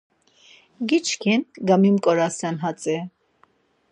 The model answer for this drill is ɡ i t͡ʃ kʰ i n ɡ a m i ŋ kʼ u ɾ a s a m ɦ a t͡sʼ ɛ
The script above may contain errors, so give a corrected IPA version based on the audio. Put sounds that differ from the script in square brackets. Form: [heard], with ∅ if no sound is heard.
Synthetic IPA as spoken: ɡ i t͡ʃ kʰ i n ɡ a m i [m] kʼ [ɔ] ɾ a s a [n] ɦ a t͡sʼ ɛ